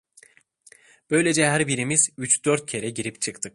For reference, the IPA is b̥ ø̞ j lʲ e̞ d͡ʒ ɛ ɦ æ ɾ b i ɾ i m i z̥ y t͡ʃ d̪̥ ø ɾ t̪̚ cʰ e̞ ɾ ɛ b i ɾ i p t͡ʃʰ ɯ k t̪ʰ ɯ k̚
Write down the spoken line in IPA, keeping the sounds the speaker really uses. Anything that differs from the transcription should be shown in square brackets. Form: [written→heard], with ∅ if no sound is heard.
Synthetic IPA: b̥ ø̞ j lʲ e̞ d͡ʒ ɛ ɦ æ ɾ b i ɾ i m i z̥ y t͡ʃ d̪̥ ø ɾ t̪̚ cʰ e̞ ɾ ɛ [b→ɟ] i ɾ i p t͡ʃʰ ɯ k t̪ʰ ɯ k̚